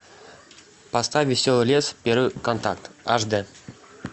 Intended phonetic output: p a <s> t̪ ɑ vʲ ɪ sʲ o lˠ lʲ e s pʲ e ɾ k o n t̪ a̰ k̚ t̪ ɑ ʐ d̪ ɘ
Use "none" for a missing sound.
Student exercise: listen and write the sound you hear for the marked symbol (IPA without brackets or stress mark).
s